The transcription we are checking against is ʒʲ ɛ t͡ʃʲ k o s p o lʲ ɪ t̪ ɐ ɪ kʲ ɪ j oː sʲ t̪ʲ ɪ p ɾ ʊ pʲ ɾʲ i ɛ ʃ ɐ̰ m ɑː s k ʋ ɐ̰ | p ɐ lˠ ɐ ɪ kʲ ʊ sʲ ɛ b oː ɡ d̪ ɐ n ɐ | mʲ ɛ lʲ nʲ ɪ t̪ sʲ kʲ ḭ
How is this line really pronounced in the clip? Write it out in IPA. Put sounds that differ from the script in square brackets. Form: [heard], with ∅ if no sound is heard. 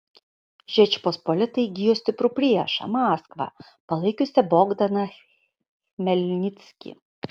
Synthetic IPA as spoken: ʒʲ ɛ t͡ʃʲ [p] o s p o lʲ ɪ t̪ ɐ ɪ [ɡʲ] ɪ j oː sʲ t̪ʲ ɪ p ɾ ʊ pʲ ɾʲ i ɛ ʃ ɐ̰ m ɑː s k ʋ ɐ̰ | p ɐ lˠ ɐ ɪ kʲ ʊ sʲ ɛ b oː ɡ d̪ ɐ n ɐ | mʲ ɛ lʲ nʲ ɪ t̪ sʲ kʲ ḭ